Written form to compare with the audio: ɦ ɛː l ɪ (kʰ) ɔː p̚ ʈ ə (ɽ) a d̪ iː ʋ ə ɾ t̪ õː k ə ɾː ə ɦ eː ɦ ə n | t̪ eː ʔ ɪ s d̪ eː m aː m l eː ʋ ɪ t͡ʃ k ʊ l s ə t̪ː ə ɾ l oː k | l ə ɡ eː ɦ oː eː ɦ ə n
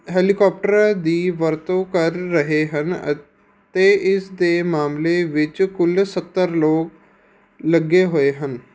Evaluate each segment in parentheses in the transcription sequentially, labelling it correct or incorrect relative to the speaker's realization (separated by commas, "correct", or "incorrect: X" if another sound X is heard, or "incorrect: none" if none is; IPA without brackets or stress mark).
incorrect: k, incorrect: ɾ